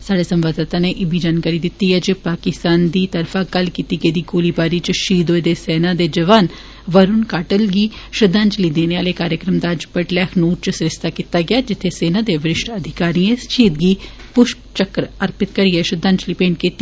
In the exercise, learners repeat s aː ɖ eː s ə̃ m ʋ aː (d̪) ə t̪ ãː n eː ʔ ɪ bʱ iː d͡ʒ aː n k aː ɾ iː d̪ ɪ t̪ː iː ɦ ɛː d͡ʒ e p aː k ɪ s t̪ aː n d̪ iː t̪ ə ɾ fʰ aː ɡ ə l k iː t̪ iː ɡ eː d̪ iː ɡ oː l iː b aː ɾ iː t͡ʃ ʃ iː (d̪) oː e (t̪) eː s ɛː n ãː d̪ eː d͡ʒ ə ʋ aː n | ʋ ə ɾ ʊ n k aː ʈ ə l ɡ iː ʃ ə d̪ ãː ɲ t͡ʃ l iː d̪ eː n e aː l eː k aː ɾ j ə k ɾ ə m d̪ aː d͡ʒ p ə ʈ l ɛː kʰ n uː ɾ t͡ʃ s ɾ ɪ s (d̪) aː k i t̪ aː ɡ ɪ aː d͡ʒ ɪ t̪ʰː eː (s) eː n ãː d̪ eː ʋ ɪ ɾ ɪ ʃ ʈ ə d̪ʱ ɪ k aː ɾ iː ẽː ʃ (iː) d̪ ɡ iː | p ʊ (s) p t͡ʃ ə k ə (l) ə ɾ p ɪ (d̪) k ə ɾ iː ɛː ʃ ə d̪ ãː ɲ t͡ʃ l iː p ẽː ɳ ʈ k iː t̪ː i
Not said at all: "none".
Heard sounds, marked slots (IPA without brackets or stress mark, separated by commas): d̪, d̪, d̪, t̪, s, iː, ʃ, ɾ, t̪